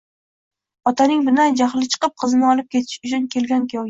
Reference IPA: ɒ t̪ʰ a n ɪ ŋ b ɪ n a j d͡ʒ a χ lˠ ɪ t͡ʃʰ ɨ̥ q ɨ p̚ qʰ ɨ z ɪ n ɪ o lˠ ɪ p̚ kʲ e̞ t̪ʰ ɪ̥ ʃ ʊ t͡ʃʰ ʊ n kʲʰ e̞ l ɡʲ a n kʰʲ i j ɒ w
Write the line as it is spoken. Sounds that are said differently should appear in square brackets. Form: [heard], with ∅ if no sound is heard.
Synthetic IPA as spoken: ɒ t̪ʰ a n ɪ ŋ b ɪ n a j d͡ʒ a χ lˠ ɪ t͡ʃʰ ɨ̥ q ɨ p̚ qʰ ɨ z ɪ n ɪ [ɒ] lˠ ɪ p̚ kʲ e̞ t̪ʰ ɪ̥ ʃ ʊ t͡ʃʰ ʊ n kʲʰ e̞ l ɡʲ a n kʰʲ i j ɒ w